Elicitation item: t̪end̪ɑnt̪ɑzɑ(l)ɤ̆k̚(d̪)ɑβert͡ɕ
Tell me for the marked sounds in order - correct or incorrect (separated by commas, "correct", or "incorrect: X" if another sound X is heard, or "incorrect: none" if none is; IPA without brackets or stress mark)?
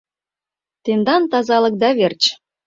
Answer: correct, correct